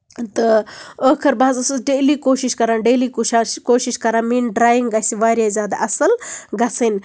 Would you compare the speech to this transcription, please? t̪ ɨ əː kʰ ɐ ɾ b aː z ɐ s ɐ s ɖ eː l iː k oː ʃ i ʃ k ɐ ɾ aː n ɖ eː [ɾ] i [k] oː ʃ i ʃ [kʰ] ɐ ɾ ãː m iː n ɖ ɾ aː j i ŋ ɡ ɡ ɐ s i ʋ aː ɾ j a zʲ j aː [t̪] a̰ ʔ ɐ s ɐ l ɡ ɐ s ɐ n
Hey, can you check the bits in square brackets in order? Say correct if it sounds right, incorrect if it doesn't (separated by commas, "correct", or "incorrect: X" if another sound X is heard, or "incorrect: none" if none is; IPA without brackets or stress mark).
incorrect: l, correct, incorrect: k, incorrect: d̪